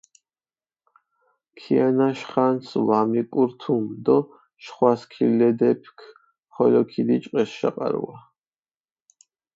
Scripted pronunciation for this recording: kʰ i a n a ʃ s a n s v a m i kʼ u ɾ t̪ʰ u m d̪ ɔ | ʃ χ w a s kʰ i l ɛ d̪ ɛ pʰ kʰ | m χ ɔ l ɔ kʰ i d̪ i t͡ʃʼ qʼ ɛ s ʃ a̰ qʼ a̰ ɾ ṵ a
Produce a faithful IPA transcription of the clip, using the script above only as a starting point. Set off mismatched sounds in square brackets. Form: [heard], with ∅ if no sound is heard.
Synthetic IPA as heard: kʰ i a n a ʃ [χ] a n s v a m i kʼ u ɾ t̪ʰ u m d̪ ɔ | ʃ χ w a s kʰ i l ɛ d̪ ɛ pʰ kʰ | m χ ɔ l ɔ kʰ i d̪ i t͡ʃʼ qʼ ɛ s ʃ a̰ qʼ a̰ ɾ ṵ a